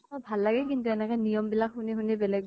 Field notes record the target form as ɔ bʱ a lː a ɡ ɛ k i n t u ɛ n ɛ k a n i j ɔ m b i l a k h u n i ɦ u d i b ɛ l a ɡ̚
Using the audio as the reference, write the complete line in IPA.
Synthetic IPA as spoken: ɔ bʱ a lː a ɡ ɛ k i n t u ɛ n ɛ k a n i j ɔ m b i l a k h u n i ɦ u n i b ɛ l ɛ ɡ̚

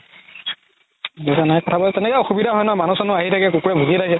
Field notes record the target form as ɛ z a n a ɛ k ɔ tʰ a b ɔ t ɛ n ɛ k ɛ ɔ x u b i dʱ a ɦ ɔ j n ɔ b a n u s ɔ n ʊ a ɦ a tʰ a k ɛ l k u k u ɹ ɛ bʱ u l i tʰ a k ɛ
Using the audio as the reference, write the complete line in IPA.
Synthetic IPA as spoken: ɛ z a n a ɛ k ɔ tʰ a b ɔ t ɛ n ɛ k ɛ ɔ x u b i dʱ a ɦ ɔ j n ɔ m a n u s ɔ n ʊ a ɦ i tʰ a k ɛ k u k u ɹ ɛ bʱ u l i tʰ a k ɛ

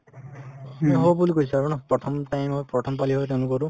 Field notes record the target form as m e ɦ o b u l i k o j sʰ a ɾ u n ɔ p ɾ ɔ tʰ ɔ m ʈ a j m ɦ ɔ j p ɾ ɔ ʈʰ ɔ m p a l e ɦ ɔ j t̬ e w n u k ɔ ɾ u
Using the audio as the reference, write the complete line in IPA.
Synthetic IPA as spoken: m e ɦ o b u l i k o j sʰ a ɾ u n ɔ p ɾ ɔ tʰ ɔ m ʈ a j m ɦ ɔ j p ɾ ɔ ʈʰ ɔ m p a l i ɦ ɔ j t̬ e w n u k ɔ ɾ u

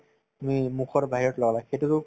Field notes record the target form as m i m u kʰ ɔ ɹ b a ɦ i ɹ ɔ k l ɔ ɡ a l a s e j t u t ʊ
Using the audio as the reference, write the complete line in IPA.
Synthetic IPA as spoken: m i m u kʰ ɔ ɹ b a ɦ i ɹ ɔ t l ɔ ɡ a l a x e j t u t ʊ

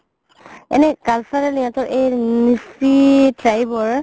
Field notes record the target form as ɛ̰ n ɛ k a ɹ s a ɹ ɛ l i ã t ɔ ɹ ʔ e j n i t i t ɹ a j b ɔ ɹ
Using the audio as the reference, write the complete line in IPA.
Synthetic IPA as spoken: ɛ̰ n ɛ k a l s a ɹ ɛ l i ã t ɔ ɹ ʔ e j n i s i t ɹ a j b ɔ ɹ

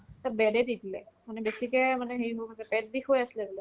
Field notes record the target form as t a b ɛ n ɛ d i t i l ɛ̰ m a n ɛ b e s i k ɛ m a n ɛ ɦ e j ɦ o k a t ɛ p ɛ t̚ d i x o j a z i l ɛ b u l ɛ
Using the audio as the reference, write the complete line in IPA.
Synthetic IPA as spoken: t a b ɛ d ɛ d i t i l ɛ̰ m a n ɛ b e s i k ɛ m a n ɛ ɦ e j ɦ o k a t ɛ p ɛ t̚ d i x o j a s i l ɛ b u l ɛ

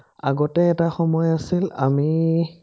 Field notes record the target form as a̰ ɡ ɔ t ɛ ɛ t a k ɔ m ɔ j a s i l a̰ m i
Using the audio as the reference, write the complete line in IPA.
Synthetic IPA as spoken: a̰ ɡ ɔ t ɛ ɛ t a x ɔ m ɔ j a s i l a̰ m i

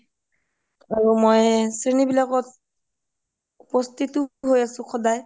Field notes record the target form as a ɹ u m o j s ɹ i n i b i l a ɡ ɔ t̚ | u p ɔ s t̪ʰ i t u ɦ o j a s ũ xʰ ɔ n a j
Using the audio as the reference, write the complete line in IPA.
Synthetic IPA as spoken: a ɹ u m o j s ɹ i n i b i l a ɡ ɔ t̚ | u p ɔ s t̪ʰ i t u ɦ o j a s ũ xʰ ɔ d a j

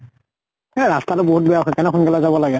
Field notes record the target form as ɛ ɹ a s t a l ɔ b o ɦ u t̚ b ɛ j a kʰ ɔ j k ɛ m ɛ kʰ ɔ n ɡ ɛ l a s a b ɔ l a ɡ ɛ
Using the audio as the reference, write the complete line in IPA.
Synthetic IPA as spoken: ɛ ɹ a s t a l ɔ b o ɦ u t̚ b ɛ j a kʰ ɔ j k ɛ n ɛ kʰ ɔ n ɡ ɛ l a z a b ɔ l a ɡ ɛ

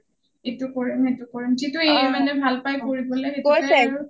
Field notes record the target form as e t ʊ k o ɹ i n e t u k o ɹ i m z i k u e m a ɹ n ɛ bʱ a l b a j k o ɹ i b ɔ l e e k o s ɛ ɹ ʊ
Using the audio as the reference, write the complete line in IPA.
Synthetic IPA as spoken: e t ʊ k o ɹ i m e t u k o ɹ i m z i t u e m a n ɛ bʱ a l p a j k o ɹ i b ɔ l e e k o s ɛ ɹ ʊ

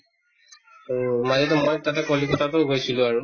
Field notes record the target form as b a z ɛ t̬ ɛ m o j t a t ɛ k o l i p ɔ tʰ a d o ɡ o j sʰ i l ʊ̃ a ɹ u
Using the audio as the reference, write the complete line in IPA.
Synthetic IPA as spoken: m a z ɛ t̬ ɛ m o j t a t ɛ k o l i k ɔ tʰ a t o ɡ o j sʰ i l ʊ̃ a ɹ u

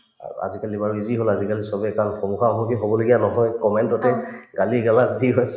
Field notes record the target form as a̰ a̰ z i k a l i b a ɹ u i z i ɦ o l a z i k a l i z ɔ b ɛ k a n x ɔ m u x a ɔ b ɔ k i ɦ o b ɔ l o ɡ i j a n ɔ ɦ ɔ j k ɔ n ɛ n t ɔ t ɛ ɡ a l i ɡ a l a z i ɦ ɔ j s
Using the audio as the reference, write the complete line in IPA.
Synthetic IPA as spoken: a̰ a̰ z i k a l i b a ɹ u i z i ɦ o l a z i k a l i s ɔ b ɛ k a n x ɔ m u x a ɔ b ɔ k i ɦ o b ɔ l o ɡ i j a n ɔ ɦ ɔ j k ɔ m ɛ n t ɔ t ɛ ɡ a l i ɡ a l a z i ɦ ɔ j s

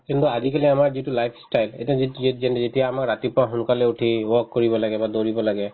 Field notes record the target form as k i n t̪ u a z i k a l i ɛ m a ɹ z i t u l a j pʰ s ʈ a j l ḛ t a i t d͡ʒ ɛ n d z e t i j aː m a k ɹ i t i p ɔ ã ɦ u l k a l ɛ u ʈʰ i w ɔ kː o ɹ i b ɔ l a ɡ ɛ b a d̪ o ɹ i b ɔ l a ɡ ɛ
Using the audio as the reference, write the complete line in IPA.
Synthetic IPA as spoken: k i n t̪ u a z i k a l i a m a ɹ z i t u l a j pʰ s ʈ a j l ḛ t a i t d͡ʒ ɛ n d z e t i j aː m a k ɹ a t i p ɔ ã ɦ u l k a l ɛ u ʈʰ i w ɔ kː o ɹ i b ɔ l a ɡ ɛ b a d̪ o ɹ i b ɔ l a ɡ ɛ

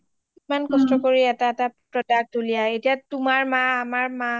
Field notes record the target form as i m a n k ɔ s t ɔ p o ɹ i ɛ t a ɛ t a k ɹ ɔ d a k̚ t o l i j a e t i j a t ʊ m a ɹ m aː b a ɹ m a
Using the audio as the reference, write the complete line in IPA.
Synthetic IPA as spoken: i m a n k ɔ s t ɔ k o ɹ i ɛ t a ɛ t a p ɹ ɔ d a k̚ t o l i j a e t i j a t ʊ m a ɹ m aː m a ɹ m a

